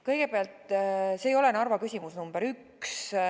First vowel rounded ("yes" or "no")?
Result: no